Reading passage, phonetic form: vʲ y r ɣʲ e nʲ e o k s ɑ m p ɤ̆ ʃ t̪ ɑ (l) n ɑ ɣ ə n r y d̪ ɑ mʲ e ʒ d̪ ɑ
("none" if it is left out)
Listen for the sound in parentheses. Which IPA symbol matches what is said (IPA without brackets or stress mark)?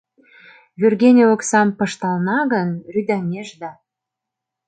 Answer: l